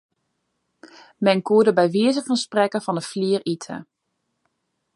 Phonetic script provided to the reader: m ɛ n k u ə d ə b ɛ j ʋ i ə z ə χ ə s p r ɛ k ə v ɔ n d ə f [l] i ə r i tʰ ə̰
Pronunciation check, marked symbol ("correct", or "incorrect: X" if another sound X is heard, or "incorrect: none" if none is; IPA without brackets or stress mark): correct